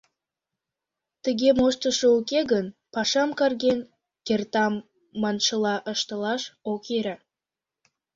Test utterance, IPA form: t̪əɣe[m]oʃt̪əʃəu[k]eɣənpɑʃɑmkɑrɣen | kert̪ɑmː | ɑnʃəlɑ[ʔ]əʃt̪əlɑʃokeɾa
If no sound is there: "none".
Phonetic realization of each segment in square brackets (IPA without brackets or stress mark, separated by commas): m, k, ʔ